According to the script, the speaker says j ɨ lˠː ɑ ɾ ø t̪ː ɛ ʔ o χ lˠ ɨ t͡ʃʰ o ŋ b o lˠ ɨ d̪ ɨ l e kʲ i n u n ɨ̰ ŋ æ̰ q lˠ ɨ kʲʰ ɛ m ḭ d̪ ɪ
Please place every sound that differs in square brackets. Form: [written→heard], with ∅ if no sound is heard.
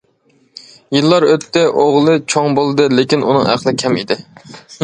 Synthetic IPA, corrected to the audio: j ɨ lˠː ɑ ɾ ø t̪ː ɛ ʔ o [χ→ʁ] lˠ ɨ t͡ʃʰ o ŋ b o lˠ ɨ d̪ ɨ l e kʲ i n u n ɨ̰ ŋ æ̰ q lˠ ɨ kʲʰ ɛ m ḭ d̪ ɪ